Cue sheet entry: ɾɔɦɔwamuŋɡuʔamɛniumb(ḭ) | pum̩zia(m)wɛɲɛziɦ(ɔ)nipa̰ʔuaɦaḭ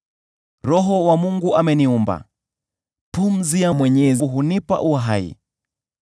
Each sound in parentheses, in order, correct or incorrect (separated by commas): incorrect, correct, incorrect